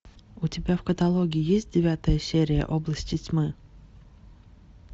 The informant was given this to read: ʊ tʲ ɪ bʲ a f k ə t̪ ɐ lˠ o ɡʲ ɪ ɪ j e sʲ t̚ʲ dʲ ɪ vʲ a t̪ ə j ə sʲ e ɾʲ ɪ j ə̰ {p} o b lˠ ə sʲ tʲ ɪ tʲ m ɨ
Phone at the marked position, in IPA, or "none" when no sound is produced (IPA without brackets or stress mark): ʔ